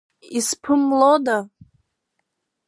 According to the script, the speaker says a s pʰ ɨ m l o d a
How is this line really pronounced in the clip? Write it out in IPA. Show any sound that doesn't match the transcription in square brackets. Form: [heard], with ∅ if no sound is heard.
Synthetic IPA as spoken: [i] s pʰ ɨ m l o d a